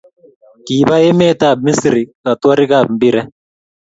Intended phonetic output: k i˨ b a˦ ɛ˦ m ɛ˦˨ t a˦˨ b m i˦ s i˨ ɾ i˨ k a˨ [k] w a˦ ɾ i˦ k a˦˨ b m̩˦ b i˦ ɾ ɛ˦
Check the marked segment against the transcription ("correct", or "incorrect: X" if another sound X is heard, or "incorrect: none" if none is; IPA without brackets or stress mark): incorrect: t